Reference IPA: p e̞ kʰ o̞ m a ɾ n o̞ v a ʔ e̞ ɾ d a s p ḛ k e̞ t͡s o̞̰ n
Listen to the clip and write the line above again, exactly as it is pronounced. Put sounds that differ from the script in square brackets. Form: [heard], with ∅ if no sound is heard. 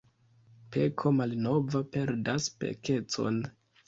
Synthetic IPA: p e̞ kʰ o̞ m a [l] n o̞ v a [p] e̞ ɾ d a s p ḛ k e̞ t͡s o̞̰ n